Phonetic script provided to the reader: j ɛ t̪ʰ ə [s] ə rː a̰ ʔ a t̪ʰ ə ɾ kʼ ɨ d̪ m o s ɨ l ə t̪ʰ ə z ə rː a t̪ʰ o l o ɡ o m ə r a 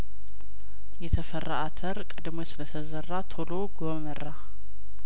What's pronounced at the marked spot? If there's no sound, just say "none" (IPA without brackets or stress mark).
f